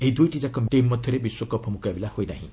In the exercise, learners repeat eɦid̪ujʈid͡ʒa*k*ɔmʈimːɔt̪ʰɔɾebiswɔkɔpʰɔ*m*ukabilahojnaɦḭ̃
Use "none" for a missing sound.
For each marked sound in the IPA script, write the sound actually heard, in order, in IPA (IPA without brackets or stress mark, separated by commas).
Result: k, m